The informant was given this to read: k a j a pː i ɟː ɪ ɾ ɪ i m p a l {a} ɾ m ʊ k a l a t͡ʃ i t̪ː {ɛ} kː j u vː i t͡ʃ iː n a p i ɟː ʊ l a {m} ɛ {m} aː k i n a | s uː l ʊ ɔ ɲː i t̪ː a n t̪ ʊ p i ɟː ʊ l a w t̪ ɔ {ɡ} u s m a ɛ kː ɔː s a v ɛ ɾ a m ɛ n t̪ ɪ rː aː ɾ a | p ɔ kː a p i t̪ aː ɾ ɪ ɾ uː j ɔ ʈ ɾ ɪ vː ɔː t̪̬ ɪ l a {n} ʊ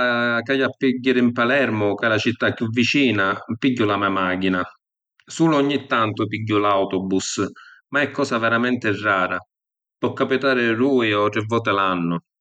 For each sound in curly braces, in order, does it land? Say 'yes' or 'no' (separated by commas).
no, no, yes, yes, no, no